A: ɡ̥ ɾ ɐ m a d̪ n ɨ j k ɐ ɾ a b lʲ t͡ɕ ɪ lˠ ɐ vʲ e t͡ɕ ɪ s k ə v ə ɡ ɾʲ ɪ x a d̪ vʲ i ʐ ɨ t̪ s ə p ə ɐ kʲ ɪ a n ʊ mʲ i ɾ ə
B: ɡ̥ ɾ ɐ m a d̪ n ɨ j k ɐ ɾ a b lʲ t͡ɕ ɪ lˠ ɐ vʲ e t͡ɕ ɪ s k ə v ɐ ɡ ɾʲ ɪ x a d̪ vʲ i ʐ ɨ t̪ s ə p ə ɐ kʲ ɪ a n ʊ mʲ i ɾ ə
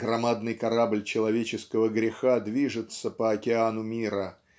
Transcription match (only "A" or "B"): A